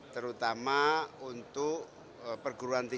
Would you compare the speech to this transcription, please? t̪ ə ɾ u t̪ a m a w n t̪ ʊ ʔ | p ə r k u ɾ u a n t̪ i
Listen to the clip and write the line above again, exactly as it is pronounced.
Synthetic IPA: t̪ ə ɾ u t̪ a m a u n t̪ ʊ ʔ | p ə r ɡ u ɾ u a n t̪ i